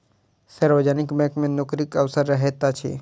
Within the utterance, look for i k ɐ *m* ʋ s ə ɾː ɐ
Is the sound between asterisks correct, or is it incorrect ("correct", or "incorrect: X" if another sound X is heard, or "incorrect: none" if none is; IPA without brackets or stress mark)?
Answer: incorrect: none